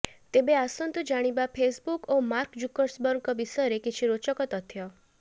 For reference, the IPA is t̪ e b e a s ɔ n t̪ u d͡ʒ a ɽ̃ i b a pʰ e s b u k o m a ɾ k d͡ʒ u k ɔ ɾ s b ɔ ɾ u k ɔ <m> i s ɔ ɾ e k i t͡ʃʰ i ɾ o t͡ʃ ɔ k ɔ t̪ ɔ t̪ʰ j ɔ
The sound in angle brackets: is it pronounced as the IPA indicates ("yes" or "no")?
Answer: no